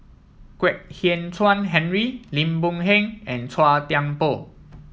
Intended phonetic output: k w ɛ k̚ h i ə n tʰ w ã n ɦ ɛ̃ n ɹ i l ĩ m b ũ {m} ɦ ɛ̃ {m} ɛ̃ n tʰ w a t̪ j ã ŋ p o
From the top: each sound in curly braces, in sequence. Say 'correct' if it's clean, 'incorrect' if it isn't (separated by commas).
incorrect, incorrect